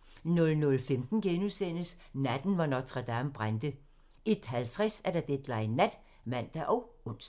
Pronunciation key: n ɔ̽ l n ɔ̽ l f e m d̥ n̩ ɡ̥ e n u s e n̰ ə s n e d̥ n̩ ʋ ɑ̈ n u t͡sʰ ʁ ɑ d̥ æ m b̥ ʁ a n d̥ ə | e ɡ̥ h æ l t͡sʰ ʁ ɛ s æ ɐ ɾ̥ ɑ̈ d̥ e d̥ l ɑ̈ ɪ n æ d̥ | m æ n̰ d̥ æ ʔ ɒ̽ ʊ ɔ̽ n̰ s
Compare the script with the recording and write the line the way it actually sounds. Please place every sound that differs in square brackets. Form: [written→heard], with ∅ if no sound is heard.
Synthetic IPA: n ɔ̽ l n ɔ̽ l f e m d̥ n̩ ɡ̥ e n u s e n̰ ə s n [e→æ] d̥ n̩ ʋ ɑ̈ n [u→ɒ] t͡sʰ ʁ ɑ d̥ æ m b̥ ʁ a n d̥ ə | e [ɡ̥→d̥] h æ l t͡sʰ ʁ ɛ s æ ɐ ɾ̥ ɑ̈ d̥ e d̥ l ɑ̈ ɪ n æ d̥ | m æ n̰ d̥ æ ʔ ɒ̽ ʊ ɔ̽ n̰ s

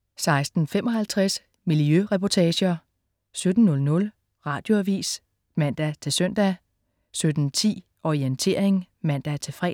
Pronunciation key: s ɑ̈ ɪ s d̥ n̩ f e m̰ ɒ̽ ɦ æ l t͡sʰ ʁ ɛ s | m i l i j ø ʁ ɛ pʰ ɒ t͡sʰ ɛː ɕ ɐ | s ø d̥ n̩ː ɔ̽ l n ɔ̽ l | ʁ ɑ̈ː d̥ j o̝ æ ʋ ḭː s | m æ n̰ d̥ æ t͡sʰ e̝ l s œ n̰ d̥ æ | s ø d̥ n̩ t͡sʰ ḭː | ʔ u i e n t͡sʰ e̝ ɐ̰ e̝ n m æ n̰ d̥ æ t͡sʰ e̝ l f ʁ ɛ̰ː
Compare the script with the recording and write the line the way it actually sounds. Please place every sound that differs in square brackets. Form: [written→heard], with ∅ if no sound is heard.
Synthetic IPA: s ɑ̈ ɪ s d̥ n̩ f e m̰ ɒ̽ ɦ æ l t͡sʰ ʁ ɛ s | m i l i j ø ʁ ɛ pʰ ɒ t͡sʰ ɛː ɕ ɐ | s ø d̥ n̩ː ɔ̽ l n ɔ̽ l | ʁ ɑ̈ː d̥ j o̝ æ ʋ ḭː s | m æ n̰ d̥ æ t͡sʰ e̝ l s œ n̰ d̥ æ | s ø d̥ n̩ t͡sʰ ḭː | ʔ [u→ɒ] i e n t͡sʰ e̝ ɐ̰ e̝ [n→ŋ] m æ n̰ d̥ æ t͡sʰ e̝ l f ʁ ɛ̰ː

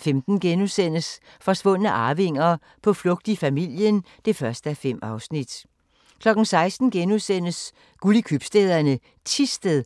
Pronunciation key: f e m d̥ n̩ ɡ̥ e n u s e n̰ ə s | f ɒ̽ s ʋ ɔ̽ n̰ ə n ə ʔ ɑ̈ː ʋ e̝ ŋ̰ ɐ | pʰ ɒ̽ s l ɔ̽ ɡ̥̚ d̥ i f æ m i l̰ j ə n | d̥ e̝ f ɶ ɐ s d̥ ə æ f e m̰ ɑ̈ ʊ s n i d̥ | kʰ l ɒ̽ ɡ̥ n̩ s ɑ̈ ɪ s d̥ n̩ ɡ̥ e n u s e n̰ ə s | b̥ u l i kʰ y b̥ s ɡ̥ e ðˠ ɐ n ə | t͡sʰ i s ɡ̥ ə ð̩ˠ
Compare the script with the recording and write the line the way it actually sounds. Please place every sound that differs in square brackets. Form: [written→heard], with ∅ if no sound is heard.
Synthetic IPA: f e m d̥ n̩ ɡ̥ e n u s e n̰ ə s | f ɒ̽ s ʋ ɔ̽ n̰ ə n ə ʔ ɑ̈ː ʋ e̝ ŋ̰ ɐ | pʰ ɒ̽ [s→f] l ɔ̽ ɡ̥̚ d̥ i f æ m i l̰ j ə n | d̥ e̝ f ɶ ɐ s d̥ ə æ f e m̰ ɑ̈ ʊ s n i d̥ | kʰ l ɒ̽ ɡ̥ n̩ s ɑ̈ ɪ s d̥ n̩ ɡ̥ e n u s e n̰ ə s | [b̥→ɡ̥] u l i kʰ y b̥ s [ɡ̥→d̥] e ðˠ ɐ n ə | t͡sʰ i s [ɡ̥→d̥] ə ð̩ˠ

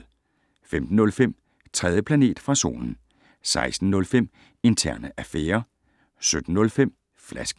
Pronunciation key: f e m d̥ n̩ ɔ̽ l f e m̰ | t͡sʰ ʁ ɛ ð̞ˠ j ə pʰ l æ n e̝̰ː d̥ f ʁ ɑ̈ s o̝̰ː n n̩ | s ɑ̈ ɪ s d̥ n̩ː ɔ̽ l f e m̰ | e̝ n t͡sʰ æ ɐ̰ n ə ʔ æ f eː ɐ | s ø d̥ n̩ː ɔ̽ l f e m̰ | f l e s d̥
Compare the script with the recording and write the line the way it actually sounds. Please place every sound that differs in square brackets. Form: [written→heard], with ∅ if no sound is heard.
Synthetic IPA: f e m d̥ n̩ ɔ̽ l f e m̰ | t͡sʰ ʁ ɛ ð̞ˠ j ə pʰ l æ n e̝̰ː d̥ f ʁ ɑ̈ s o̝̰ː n n̩ | s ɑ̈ ɪ s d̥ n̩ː ɔ̽ l f e m̰ | e̝ n t͡sʰ æ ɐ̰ n ə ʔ æ f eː ɐ | s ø d̥ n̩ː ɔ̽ l f e m̰ | f l [e→æ] s [d̥→ɡ̥]

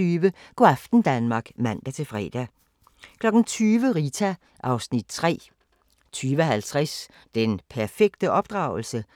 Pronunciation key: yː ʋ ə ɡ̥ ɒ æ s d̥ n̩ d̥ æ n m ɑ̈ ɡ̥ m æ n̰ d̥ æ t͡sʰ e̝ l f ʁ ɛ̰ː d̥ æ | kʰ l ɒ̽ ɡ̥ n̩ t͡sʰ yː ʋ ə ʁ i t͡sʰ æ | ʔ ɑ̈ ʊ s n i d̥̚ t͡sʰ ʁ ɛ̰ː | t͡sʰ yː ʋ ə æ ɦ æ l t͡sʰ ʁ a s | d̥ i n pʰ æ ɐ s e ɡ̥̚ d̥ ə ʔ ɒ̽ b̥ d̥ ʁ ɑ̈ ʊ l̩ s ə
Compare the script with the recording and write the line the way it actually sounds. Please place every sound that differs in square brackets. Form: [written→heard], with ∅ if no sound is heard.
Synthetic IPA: yː ʋ ə ɡ̥ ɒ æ [s→f] d̥ n̩ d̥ æ n m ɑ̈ ɡ̥ m æ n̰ d̥ æ t͡sʰ e̝ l f ʁ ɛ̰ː d̥ æ | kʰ l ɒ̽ ɡ̥ n̩ t͡sʰ yː ʋ ə ʁ i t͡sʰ æ | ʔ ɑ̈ ʊ s n i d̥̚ t͡sʰ ʁ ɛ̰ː | t͡sʰ yː ʋ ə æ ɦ æ l t͡sʰ ʁ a s | d̥ [i→e] n pʰ æ ɐ [s→f] e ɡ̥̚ d̥ ə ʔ ɒ̽ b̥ d̥ ʁ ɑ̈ ʊ l̩ s ə

